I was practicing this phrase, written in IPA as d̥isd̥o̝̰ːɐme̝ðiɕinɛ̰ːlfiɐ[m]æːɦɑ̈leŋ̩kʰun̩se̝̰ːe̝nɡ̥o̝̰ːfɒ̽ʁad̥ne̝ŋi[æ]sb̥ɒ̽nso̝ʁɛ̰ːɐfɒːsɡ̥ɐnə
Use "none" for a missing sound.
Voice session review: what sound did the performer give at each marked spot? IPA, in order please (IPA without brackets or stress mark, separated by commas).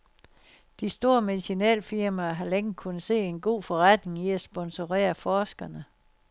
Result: m, æ